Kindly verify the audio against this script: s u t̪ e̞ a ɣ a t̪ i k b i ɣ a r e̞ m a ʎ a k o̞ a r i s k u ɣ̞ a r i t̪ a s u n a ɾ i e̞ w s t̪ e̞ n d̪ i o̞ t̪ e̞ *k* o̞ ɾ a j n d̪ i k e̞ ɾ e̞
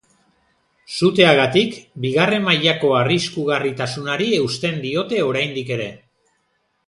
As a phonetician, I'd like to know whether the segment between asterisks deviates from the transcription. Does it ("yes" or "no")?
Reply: yes